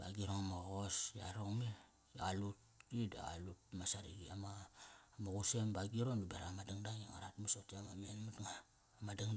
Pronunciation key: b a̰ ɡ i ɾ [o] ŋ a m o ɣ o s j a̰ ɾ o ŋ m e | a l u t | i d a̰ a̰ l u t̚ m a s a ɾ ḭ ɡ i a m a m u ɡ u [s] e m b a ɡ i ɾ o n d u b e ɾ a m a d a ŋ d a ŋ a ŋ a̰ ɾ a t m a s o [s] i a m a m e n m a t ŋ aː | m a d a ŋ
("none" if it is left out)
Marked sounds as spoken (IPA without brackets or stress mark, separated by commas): o, s, t